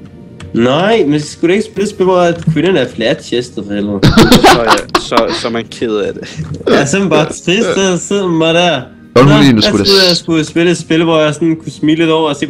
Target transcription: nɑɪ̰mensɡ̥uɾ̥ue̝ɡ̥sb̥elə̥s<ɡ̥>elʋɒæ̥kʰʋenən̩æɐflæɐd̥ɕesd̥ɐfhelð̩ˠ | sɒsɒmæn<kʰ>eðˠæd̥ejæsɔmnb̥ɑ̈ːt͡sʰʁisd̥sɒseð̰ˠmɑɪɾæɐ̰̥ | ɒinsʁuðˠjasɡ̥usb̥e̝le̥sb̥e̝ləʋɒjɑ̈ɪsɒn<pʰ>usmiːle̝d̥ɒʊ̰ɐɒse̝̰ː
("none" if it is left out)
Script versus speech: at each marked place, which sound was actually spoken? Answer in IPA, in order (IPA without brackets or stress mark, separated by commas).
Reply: b̥, kʰ, kʰ